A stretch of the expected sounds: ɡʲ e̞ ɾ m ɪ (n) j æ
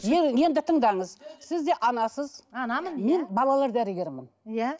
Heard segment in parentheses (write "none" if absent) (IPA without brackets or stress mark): n